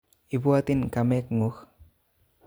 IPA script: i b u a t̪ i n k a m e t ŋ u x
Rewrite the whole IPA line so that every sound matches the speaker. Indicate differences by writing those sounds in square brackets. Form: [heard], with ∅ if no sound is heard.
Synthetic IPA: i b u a t̪ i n k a m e [k] ŋ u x